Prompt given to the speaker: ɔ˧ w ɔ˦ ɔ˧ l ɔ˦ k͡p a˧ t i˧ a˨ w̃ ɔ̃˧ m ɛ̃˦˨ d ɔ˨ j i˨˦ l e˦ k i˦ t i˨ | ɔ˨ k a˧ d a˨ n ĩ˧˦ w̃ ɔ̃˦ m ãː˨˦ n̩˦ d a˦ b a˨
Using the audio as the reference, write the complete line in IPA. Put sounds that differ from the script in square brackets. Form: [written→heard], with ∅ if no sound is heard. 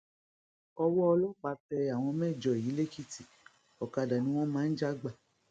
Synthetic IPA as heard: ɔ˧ w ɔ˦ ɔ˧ l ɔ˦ k͡p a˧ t [i˧→ɛ˧] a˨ w̃ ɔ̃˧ m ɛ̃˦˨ [d→d͡ʒ] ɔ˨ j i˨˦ l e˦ k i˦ t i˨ | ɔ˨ k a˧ d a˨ n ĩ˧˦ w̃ ɔ̃˦ m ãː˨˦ n̩˦ [d→d͡ʒ] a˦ [b→ɡ͡b] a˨